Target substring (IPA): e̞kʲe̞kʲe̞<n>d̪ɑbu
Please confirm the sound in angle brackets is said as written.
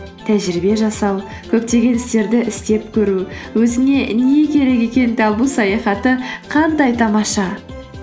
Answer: yes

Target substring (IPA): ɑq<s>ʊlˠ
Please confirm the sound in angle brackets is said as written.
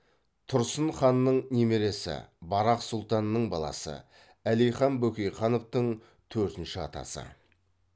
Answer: yes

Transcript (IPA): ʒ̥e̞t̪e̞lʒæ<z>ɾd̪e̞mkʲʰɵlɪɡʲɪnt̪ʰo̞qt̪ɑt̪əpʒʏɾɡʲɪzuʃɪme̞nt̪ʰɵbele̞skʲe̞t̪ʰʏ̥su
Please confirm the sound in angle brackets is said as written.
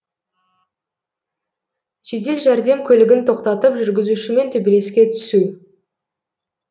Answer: no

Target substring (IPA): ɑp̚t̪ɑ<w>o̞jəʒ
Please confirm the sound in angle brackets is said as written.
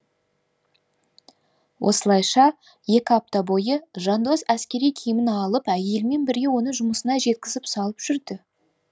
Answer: no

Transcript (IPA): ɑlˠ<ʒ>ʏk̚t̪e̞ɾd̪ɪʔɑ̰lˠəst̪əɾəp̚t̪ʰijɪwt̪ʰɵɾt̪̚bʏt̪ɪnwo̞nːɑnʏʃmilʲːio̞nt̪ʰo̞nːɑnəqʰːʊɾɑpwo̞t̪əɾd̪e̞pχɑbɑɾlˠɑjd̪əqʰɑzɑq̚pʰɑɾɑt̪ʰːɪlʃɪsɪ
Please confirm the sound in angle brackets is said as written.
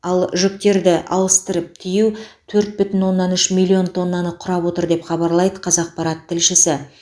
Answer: yes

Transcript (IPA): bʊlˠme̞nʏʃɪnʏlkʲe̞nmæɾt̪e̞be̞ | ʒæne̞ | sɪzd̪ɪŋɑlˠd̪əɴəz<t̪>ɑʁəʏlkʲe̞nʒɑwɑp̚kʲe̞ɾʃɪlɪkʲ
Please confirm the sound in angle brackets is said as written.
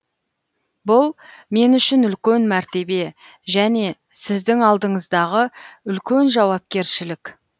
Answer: no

